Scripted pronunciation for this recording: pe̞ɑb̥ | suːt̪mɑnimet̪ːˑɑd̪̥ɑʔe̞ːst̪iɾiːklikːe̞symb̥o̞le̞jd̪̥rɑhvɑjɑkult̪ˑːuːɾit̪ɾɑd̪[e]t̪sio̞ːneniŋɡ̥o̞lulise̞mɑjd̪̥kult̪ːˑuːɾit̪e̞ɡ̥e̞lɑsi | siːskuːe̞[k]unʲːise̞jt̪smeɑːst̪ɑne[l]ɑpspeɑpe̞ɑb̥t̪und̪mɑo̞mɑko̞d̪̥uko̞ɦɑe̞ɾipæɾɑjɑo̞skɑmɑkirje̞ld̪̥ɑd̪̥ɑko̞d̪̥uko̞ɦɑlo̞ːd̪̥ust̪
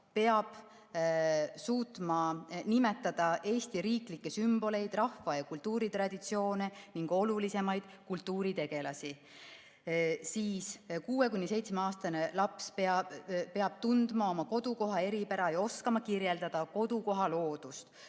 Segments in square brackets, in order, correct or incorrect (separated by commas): incorrect, correct, correct